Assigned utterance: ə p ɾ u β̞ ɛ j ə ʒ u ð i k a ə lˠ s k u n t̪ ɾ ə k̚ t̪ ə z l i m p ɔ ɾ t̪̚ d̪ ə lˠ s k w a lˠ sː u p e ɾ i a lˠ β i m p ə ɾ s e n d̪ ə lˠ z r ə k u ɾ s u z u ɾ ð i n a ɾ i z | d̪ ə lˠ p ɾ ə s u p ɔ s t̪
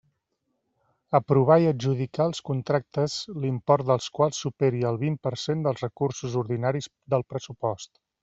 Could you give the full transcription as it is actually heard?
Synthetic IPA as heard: ə p ɾ u β̞ a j ə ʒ u ð i k a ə lˠ s k u n t̪ ɾ a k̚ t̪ ə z l i m p ɔ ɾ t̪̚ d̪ ə lˠ s k w a lˠ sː u p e ɾ i ə lˠ β i m p ə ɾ s e n d̪ ə lˠ z r ə k u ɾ s u z u ɾ ð i n a ɾ i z | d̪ ə lˠ p ɾ ə s u p ɔ s t̪